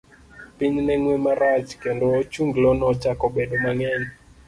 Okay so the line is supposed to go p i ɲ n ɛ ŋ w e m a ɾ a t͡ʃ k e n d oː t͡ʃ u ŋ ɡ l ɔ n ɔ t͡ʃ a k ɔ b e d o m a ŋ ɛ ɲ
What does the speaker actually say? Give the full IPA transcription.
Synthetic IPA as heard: p i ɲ n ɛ ŋ w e m a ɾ a t͡ʃ k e n d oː t͡ʃ u ŋ ɡ l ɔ n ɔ t͡ʃ a k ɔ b e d o m a ŋ ɛ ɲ